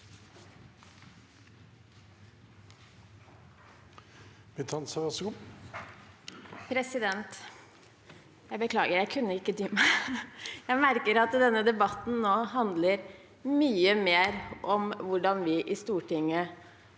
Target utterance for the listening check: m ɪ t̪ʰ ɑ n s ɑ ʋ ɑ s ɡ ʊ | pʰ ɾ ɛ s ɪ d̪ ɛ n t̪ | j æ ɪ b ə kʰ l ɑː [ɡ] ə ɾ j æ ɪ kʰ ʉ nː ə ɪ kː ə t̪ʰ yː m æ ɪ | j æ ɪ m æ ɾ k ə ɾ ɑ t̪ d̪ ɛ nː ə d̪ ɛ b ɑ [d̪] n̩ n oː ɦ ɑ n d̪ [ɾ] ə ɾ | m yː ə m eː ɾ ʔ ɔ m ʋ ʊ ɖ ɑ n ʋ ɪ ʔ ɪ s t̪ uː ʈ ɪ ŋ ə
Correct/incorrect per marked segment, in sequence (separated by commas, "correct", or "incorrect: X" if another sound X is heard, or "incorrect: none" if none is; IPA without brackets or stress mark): correct, incorrect: t̪, incorrect: l